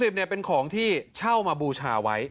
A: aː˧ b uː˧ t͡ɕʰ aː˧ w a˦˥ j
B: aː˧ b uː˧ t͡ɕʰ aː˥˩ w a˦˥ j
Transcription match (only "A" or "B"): A